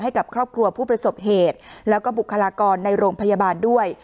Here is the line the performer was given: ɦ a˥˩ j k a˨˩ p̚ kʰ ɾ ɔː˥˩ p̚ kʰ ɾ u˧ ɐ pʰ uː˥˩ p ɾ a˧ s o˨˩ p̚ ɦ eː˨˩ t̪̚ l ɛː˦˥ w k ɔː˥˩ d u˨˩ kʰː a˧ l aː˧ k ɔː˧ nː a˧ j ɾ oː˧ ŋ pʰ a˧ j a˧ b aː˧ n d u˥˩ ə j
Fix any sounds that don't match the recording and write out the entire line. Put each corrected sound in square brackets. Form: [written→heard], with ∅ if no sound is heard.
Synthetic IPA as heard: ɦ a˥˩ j k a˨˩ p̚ kʰ ɾ ɔː˥˩ p̚ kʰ ɾ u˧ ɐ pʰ uː˥˩ p ɾ a˧ s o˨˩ p̚ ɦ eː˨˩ t̪̚ l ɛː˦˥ w k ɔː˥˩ [d→b] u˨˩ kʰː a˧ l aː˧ k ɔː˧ nː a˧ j ɾ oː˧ ŋ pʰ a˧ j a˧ b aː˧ n d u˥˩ ə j